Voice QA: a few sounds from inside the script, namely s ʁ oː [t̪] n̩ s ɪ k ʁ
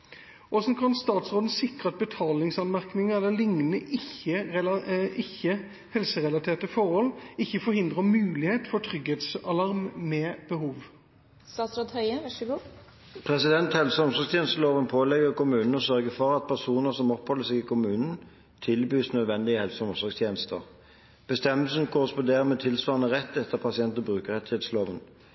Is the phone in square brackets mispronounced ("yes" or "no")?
yes